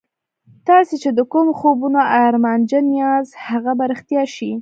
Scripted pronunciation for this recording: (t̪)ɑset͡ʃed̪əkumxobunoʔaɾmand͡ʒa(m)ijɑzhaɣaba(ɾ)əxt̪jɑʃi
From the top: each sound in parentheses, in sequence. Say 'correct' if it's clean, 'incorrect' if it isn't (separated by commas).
correct, incorrect, correct